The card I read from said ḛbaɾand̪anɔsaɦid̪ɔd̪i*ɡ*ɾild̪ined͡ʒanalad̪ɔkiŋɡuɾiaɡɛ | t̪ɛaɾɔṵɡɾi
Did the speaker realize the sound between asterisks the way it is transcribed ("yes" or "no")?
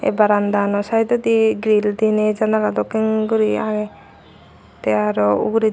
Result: yes